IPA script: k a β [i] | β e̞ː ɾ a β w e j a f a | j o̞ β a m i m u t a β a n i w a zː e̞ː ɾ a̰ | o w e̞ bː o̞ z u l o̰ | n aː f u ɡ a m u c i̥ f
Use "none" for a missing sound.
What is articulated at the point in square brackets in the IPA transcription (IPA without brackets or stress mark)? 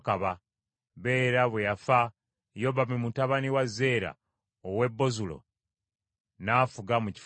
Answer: a